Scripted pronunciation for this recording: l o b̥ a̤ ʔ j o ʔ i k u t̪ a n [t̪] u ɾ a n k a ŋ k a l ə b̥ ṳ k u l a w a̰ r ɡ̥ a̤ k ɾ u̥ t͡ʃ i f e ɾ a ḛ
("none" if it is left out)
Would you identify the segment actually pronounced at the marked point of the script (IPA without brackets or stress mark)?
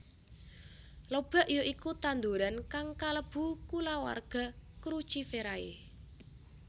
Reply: d̪